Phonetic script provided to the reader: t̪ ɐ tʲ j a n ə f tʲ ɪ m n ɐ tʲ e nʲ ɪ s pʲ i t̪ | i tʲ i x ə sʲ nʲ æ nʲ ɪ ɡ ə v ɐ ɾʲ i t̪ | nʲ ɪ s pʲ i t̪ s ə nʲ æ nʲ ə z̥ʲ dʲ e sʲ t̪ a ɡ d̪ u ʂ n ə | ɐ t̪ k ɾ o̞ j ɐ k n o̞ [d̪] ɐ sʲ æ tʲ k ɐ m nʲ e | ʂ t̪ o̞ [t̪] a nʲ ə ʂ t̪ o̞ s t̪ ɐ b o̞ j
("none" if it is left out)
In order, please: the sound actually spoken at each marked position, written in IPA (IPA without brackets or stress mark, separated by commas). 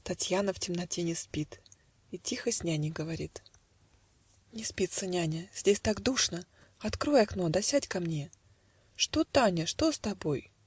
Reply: d̪, t̪